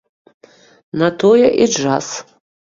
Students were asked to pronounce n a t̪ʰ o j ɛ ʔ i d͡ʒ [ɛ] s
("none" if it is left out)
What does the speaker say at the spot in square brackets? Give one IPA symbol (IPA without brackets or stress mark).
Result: a